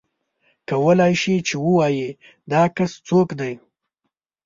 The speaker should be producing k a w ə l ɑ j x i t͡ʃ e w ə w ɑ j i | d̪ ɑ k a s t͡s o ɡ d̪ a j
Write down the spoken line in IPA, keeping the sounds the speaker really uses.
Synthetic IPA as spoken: k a w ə l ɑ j ʃ i t͡ʃ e w ə w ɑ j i | d̪ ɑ k a s t͡s o k d̪ a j